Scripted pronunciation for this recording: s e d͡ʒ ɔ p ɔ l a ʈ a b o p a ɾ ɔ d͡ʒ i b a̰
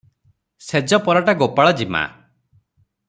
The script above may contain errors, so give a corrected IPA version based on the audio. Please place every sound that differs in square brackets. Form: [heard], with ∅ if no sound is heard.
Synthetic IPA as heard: s e d͡ʒ ɔ p ɔ [ɾ] a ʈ a [ɡ] o p a [ɭ] ɔ d͡ʒ i [m] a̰

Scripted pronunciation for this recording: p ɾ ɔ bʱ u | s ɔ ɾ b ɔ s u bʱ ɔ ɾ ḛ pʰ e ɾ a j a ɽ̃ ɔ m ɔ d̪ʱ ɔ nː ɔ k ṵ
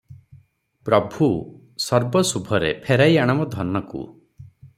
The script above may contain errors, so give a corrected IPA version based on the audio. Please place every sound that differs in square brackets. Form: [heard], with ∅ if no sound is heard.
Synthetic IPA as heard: p ɾ ɔ bʱ u | s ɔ ɾ b ɔ s u bʱ ɔ ɾ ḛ pʰ e ɾ a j a ɽ̃ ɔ m ɔ d̪ʱ ɔ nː ɔ k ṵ

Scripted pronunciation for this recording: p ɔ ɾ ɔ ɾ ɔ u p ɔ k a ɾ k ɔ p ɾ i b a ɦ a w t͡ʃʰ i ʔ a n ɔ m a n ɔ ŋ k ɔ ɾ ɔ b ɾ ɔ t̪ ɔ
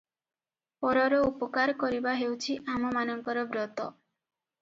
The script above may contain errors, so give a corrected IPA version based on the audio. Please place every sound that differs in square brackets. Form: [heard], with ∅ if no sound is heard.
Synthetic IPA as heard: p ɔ ɾ ɔ ɾ ɔ u p ɔ k a ɾ k ɔ [∅] ɾ i b a ɦ [e] w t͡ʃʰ i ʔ a [m] ɔ m a n ɔ ŋ k ɔ ɾ ɔ b ɾ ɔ t̪ ɔ

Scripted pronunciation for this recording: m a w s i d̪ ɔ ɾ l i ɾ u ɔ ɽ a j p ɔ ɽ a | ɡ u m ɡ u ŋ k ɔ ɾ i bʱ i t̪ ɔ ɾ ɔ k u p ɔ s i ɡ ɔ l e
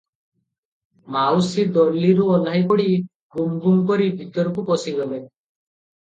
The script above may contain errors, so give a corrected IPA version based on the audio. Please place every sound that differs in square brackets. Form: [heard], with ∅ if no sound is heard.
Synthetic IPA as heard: m a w s i d̪ ɔ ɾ l i ɾ u ɔ [l] a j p ɔ ɽ [i] | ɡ u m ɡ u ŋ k ɔ ɾ i bʱ i t̪ ɔ ɾ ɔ k u p ɔ s i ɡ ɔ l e

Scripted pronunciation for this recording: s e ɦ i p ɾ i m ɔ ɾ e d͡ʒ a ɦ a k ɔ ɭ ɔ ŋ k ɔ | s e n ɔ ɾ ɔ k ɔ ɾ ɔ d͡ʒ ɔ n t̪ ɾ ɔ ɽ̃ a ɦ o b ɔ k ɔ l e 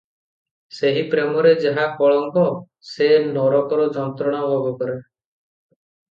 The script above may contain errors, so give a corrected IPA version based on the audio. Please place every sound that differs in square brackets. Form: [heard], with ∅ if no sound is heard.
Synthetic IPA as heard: s e ɦ i p ɾ [e] m ɔ ɾ e d͡ʒ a ɦ a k ɔ ɭ ɔ ŋ k ɔ | s e n ɔ ɾ ɔ k ɔ ɾ ɔ d͡ʒ ɔ n t̪ ɾ ɔ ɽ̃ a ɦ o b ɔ k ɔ [ɾ] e

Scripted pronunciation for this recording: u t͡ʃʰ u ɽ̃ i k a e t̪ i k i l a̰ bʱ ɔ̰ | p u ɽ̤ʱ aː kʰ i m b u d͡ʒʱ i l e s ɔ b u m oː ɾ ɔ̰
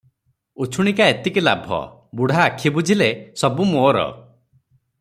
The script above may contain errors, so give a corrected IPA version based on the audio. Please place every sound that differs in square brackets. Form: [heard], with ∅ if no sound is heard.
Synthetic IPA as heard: u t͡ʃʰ u ɽ̃ i k a e t̪ i k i l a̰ bʱ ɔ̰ | [b] u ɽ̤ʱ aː kʰ i [∅] b u d͡ʒʱ i l e s ɔ b u m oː ɾ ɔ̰

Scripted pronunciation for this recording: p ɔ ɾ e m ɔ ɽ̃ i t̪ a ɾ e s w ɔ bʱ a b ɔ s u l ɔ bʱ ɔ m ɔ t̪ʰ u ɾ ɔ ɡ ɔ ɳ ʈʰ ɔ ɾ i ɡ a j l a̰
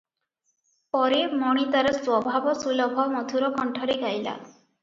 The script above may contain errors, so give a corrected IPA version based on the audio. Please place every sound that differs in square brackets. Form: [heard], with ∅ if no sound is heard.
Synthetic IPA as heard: p ɔ ɾ e m ɔ ɽ̃ i t̪ a ɾ e s w ɔ bʱ a b ɔ s u l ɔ bʱ ɔ m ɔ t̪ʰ u ɾ ɔ [k] ɔ ɳ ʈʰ ɔ ɾ [e] ɡ a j l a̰

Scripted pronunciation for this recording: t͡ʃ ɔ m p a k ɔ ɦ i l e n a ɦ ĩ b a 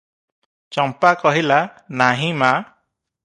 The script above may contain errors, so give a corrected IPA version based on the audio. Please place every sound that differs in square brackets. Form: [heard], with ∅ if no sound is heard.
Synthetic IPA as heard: t͡ʃ ɔ m p a k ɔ ɦ i l [a] n a ɦ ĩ [m] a

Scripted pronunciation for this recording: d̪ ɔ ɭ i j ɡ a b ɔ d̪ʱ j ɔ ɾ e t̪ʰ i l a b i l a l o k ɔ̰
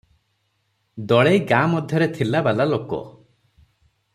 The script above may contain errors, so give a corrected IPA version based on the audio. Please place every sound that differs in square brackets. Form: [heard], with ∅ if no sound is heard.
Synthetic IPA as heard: d̪ ɔ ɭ [e] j ɡ a [m] ɔ d̪ʱ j ɔ ɾ e t̪ʰ i l a b [a] l a l o k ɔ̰

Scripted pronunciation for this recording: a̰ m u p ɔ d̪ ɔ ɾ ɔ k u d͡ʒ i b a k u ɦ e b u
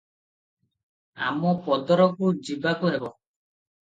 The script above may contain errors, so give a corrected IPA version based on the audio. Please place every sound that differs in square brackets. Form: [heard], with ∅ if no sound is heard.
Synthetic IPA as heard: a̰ m [ɔ] p ɔ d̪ ɔ ɾ ɔ k u d͡ʒ i b a k u ɦ e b [ɔ]

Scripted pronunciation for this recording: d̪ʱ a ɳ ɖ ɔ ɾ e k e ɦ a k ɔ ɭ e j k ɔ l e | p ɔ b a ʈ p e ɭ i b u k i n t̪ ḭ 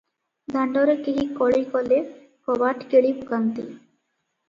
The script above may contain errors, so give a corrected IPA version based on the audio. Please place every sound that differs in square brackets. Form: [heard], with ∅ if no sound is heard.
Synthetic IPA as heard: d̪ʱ a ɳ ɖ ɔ ɾ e k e ɦ [i] k ɔ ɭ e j k ɔ l e | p ɔ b a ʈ [k] e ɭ i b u k [a] n t̪ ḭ

